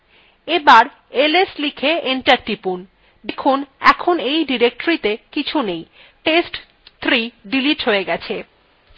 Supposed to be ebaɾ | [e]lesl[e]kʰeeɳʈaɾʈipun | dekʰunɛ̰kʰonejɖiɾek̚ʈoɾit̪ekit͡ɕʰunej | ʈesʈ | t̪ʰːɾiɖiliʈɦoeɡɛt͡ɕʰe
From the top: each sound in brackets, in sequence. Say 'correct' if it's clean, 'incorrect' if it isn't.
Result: correct, incorrect: i

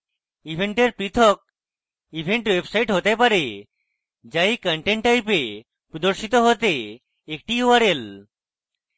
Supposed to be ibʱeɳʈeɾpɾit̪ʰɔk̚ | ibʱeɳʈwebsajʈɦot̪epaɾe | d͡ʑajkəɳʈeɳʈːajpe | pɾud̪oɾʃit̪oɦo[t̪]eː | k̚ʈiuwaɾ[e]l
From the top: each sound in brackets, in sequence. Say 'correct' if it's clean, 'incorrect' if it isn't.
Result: correct, correct

